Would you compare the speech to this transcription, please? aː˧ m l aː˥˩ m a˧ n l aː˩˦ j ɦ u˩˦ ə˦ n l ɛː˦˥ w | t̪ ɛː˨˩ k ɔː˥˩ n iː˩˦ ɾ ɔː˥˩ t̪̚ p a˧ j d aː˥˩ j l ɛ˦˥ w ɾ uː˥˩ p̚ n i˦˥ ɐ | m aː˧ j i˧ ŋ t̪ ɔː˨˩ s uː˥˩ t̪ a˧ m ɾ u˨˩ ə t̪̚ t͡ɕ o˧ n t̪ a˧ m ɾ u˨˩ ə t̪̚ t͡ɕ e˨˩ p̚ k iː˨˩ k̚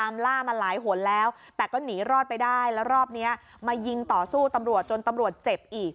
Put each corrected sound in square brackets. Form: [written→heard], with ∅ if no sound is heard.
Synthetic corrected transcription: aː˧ m l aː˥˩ m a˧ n l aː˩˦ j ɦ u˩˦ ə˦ n l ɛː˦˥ w | t̪ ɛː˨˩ k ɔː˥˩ n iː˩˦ ɾ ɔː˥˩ t̪̚ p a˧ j d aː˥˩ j l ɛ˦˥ w ɾ [uː˥˩→ɔː˥˩] p̚ n i˦˥ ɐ | m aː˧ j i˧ ŋ t̪ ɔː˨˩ s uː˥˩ t̪ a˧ m ɾ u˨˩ ə t̪̚ t͡ɕ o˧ n t̪ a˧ m ɾ u˨˩ ə t̪̚ t͡ɕ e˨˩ p̚ [k→ʔ] iː˨˩ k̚